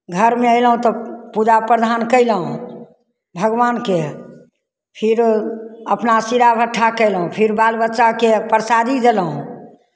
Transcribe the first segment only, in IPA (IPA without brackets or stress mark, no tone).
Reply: ɡʱ